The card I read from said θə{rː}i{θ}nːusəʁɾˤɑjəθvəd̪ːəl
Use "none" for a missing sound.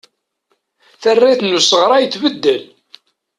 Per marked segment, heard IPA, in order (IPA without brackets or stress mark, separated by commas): rː, θ